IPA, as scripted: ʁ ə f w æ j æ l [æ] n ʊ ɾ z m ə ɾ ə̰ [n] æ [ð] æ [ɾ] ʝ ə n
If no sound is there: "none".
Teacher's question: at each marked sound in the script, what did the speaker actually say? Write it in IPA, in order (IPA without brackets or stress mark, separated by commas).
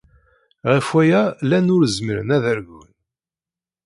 æ, n, ð, ɾ